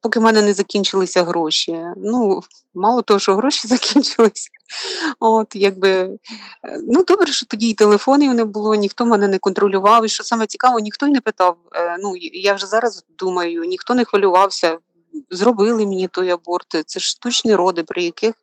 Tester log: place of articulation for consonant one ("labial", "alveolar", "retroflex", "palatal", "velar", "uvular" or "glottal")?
labial